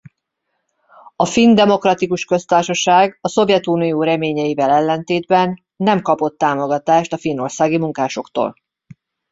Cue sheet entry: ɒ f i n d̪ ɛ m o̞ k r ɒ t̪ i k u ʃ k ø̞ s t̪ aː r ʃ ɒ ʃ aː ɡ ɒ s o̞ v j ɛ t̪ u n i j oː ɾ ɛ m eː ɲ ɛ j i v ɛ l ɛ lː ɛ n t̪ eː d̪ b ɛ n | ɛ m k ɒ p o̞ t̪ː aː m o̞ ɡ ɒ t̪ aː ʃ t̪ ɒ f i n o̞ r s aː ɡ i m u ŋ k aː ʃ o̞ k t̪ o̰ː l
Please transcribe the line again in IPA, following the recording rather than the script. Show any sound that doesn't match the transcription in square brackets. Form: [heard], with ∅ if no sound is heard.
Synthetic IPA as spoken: ɒ f i n d̪ ɛ m o̞ k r ɒ t̪ i k u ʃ k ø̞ s t̪ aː r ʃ ɒ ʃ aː ɡ ɒ s o̞ v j ɛ t̪ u n i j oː ɾ ɛ m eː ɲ ɛ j i v ɛ l ɛ lː ɛ n t̪ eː d̪ b ɛ [nː] | ɛ m k ɒ p o̞ t̪ː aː m o̞ ɡ ɒ t̪ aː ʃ t̪ ɒ f i n o̞ r s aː ɡ i m u ŋ k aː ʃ o̞ k t̪ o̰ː l